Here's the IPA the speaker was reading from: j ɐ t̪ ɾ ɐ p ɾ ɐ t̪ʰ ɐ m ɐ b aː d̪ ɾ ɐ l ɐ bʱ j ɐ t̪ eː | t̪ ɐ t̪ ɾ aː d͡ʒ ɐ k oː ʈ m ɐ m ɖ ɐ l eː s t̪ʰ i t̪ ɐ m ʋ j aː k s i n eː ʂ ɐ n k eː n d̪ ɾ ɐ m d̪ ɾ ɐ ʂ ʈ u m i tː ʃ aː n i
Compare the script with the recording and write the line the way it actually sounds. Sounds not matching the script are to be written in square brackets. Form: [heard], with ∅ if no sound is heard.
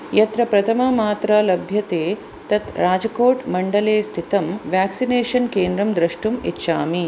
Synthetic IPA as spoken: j ɐ t̪ ɾ ɐ p ɾ ɐ t̪ʰ ɐ m ɐ [m] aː [t̪] ɾ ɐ l ɐ bʱ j ɐ t̪ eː | t̪ ɐ t̪ ɾ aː d͡ʒ ɐ k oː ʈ m ɐ [ɳ] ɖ ɐ l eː s t̪ʰ i t̪ ɐ m ʋ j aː k s i n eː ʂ ɐ n k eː n d̪ ɾ ɐ m d̪ ɾ ɐ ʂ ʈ u m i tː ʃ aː [m] i